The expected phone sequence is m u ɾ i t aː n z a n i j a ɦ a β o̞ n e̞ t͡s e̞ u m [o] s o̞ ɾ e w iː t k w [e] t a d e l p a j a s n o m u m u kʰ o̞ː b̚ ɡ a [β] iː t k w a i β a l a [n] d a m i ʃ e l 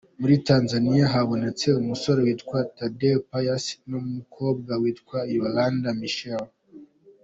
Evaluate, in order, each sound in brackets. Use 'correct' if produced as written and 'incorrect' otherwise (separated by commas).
incorrect, incorrect, incorrect, correct